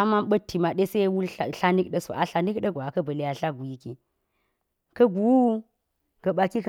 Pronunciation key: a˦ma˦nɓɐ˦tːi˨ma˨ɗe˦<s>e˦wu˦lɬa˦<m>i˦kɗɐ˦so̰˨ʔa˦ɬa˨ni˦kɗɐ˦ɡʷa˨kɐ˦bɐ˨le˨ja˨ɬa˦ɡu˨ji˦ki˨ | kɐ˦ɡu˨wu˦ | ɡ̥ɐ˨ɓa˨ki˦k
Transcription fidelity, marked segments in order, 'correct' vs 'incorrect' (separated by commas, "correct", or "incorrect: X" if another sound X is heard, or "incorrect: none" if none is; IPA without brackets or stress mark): correct, incorrect: n